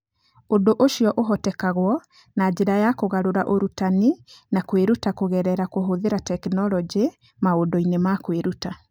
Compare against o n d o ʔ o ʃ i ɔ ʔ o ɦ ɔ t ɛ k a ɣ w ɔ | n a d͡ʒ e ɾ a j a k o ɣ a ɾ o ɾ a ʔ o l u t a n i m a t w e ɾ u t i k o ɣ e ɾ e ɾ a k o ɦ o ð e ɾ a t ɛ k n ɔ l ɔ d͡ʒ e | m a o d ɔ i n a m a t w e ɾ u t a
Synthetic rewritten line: o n d o ʔ o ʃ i ɔ ʔ o ɦ ɔ t ɛ k a ɣ w ɔ | n a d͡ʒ e ɾ a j a k o ɣ a ɾ o ɾ a ʔ o ɾ u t a n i n a k w e ɾ u t a k o ɣ ɛ ɾ ɛ ɾ a k o ɦ o ð e ɾ a t ɛ k n ɔ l ɔ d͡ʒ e | m a o d ɔ i n e m a k w e ɾ u t a